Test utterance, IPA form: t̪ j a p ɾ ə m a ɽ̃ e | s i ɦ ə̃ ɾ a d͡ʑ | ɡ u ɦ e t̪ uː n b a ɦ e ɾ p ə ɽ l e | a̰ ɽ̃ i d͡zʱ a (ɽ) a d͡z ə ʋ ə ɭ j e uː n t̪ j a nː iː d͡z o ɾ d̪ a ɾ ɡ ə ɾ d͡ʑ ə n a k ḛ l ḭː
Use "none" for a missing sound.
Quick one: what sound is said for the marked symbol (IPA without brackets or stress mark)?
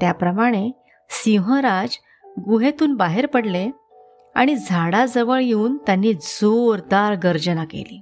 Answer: ɽ